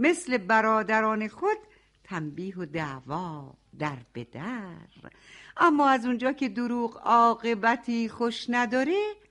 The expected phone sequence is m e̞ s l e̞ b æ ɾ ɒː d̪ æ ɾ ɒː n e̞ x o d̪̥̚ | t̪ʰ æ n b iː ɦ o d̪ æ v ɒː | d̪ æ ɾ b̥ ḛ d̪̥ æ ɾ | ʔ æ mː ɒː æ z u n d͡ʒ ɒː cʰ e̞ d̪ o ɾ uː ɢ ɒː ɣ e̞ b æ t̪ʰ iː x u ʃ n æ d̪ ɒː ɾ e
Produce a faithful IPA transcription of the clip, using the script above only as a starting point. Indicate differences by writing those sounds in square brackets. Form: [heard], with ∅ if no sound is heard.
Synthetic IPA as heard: m e̞ s l e̞ b æ ɾ ɒː d̪ æ ɾ ɒː n e̞ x o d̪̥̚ | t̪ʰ æ [m] b iː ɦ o d̪ æ v ɒː | d̪ æ ɾ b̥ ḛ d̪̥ æ ɾ | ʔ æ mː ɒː æ z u n d͡ʒ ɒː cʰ e̞ d̪ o ɾ uː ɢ ɒː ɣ e̞ b æ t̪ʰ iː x [o] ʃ n æ d̪ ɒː ɾ e